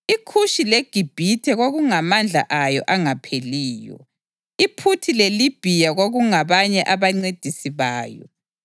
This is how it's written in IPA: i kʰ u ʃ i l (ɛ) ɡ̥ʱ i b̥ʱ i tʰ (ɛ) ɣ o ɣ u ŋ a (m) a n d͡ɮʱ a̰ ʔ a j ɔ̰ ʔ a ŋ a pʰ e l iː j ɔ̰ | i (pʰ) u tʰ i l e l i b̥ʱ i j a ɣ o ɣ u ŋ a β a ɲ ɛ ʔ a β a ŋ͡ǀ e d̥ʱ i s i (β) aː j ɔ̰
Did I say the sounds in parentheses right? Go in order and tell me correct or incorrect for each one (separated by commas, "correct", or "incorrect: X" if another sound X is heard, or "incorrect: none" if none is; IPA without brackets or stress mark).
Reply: incorrect: e, correct, correct, correct, correct